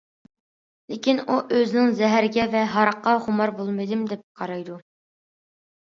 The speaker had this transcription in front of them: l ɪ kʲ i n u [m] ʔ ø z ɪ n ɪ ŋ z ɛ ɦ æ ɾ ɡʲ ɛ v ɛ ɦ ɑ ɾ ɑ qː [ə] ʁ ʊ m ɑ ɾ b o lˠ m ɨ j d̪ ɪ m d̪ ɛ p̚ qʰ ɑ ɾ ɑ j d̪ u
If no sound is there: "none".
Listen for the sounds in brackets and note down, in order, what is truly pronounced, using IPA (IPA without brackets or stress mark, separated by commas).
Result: none, ɑ